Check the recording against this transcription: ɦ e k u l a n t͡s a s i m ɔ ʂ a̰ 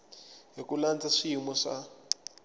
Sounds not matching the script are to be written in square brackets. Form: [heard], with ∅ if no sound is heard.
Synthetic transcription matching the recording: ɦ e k u l a n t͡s a [ʂ] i m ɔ ʂ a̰